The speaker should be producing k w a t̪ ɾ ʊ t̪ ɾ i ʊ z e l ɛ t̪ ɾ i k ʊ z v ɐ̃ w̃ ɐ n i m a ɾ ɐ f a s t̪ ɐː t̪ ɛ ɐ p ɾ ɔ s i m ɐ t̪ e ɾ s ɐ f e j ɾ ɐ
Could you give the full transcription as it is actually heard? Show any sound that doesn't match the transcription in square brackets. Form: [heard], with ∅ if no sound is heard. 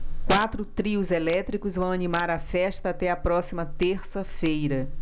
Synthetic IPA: k w a t̪ ɾ ʊ t̪ ɾ i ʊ z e l ɛ t̪ ɾ i k ʊ z v ɐ̃ w̃ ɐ n i m a ɾ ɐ f [ɛ] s t̪ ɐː t̪ ɛ ɐ p ɾ ɔ s i m ɐ t̪ e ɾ s ɐ f e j ɾ ɐ